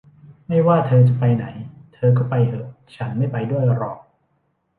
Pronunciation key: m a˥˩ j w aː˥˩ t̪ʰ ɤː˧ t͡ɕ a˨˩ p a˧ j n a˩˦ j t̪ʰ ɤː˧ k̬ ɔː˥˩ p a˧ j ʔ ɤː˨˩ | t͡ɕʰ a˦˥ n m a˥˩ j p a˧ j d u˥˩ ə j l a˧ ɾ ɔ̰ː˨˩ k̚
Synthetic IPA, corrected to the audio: m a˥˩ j w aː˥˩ t̪ʰ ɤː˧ t͡ɕ a˨˩ p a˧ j n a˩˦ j t̪ʰ ɤː˧ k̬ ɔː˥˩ p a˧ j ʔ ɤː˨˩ | t͡ɕʰ a˦˥ n m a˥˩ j p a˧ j d u˥˩ ə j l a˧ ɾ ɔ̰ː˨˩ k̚